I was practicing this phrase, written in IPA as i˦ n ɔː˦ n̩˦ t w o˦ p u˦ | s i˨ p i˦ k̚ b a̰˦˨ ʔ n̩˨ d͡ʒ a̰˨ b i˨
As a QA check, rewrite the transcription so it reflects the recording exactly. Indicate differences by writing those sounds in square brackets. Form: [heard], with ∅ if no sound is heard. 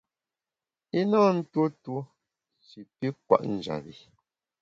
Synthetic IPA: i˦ n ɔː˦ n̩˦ t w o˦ [t] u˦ | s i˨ p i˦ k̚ [w] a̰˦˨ ʔ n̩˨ d͡ʒ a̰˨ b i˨